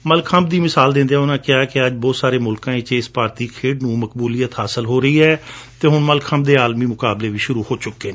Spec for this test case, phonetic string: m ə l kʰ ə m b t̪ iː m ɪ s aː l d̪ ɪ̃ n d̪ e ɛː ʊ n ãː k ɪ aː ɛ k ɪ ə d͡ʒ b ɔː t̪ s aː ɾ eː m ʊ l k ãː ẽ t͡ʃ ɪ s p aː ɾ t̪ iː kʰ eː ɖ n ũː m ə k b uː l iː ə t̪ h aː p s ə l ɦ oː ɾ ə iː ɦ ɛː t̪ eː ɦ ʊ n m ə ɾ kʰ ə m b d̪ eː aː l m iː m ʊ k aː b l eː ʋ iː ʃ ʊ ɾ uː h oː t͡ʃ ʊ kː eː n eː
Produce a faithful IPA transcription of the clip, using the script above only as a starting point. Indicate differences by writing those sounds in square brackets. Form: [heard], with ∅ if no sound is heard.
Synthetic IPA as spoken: m ə l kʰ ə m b [d̪] iː m ɪ s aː l d̪ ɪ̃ n d̪ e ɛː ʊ n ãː k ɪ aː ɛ k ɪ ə d͡ʒ b ɔː t̪ s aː ɾ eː m ʊ l k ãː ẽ t͡ʃ ɪ s p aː ɾ t̪ iː kʰ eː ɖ n ũː m ə k b uː l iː ə t̪ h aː [∅] s ə l ɦ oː ɾ ə iː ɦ ɛː t̪ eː ɦ ʊ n m ə [l] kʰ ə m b d̪ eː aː l m iː m ʊ k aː b l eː ʋ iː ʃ ʊ ɾ uː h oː t͡ʃ ʊ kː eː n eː